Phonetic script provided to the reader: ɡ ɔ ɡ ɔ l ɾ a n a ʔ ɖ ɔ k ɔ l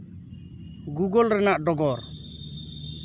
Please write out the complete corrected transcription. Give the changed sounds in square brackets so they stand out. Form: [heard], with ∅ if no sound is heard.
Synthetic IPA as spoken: ɡ [u] ɡ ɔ l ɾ [ɛ] n a ʔ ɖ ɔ [ɡ] ɔ [ɾ]